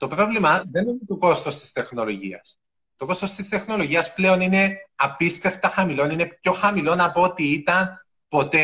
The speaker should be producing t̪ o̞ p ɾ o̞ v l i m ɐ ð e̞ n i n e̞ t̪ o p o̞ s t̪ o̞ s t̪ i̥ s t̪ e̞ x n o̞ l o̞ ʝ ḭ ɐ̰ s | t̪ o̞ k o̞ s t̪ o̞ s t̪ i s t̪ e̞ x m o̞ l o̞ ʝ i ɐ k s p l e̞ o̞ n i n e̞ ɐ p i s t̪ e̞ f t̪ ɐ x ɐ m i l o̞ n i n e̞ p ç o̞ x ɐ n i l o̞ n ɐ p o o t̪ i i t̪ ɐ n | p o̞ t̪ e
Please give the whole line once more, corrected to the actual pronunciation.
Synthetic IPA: t̪ o̞ p ɾ o̞ v l i m ɐ ð e̞ n i n e̞ t̪ o k o̞ s t̪ o̞ s t̪ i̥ s t̪ e̞ x n o̞ l o̞ ʝ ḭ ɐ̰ s | t̪ o̞ k o̞ s t̪ o̞ s t̪ i s t̪ e̞ x n o̞ l o̞ ʝ i ɐ s p l e̞ o̞ n i n e̞ ɐ p i s t̪ e̞ f t̪ ɐ x ɐ m i l o̞ n i n e̞ p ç o̞ x ɐ m i l o̞ n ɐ p o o t̪ i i t̪ ɐ n | p o̞ t̪ e